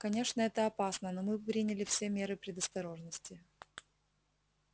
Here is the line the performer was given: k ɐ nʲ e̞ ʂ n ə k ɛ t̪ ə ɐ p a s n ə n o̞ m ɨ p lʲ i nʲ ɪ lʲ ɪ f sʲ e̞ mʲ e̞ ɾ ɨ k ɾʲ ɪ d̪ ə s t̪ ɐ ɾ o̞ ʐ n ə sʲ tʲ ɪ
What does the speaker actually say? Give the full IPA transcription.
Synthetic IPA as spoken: k ɐ nʲ e̞ ʂ n ə ɛ t̪ ə ɐ p a s n ə n o̞ m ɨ p ɾʲ i nʲ ɪ lʲ ɪ f sʲ e̞ mʲ e̞ ɾ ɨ p ɾʲ ɪ d̪ ə s t̪ ɐ ɾ o̞ ʐ n ə sʲ tʲ ɪ